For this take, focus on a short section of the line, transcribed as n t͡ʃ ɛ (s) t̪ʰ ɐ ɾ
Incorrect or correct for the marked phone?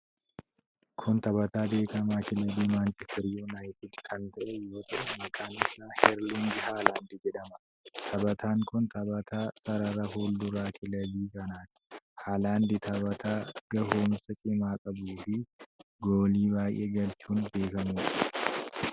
correct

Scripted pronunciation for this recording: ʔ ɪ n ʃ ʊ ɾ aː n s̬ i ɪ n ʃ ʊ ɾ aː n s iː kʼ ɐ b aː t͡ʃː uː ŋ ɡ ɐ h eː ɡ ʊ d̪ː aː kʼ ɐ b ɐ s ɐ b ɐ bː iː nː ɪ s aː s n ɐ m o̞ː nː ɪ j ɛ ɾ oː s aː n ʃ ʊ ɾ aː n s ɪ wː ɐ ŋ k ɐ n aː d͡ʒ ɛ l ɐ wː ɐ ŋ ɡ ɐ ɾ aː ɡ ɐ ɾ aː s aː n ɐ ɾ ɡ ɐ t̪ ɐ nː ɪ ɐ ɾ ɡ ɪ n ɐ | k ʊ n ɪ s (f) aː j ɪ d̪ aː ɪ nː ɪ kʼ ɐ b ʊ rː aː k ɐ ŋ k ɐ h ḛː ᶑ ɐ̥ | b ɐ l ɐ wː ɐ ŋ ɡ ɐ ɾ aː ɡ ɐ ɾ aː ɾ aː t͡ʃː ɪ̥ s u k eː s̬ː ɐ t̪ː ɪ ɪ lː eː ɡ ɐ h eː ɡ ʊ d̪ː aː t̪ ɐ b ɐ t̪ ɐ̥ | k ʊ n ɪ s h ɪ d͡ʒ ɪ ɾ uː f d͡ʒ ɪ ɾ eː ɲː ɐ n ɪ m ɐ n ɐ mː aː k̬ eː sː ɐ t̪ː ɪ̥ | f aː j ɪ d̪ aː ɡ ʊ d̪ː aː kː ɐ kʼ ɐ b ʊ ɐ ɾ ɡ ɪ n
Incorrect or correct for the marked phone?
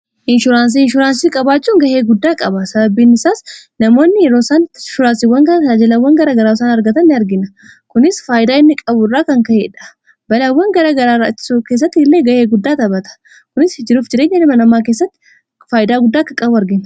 correct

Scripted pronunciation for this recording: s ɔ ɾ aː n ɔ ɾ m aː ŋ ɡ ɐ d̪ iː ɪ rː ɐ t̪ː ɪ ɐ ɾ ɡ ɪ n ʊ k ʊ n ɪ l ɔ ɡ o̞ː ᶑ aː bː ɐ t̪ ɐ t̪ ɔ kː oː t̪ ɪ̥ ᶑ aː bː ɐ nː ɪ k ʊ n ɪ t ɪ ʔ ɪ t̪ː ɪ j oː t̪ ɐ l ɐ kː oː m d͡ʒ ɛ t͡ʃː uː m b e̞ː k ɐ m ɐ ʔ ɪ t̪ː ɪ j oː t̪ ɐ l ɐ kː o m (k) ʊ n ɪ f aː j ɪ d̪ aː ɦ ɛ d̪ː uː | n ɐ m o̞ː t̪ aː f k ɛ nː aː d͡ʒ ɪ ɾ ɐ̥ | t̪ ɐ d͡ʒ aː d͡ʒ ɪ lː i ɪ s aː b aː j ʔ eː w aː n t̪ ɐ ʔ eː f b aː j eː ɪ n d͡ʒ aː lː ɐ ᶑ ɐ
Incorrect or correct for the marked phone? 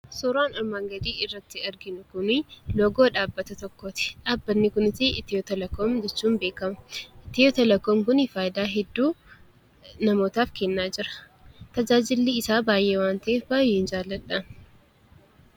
correct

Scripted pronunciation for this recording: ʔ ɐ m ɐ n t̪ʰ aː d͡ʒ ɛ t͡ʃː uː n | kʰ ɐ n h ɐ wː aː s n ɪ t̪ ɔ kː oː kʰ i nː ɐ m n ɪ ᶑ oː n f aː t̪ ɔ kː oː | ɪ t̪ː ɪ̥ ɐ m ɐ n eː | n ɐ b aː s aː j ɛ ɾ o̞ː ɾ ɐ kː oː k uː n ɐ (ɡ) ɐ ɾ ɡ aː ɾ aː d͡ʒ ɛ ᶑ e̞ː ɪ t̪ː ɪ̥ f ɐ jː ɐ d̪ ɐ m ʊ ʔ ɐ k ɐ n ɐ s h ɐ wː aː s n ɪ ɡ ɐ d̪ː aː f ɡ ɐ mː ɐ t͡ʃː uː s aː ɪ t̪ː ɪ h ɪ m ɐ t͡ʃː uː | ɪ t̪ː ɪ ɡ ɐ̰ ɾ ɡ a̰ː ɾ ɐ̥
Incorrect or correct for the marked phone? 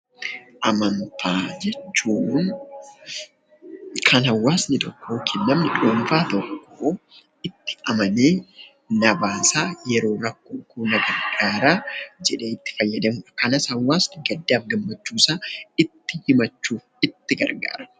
correct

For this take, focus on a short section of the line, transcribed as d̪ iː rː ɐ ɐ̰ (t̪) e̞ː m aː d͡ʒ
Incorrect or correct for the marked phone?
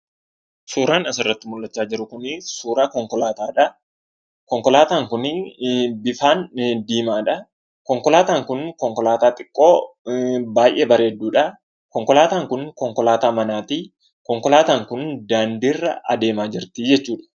incorrect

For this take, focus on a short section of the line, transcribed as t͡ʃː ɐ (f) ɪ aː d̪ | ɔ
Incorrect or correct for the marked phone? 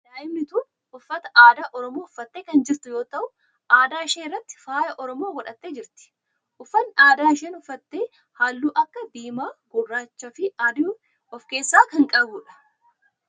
correct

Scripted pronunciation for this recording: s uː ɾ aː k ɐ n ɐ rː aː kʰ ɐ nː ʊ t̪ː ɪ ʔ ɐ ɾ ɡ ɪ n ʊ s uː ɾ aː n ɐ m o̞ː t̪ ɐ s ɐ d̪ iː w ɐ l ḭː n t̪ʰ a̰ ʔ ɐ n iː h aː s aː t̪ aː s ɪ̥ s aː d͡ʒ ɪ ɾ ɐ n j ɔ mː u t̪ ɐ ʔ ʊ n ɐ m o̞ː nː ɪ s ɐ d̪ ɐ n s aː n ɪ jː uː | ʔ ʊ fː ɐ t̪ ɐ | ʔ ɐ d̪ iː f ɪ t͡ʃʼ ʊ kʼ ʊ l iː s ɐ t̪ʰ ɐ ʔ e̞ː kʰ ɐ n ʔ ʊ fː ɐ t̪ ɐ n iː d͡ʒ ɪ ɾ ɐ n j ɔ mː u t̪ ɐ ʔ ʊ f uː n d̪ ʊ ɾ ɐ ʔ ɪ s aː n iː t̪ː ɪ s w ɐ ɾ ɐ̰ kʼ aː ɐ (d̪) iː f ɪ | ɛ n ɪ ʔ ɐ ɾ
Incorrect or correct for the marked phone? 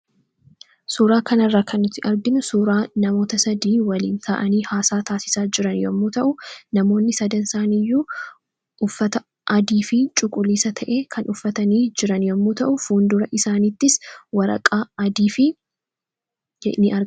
correct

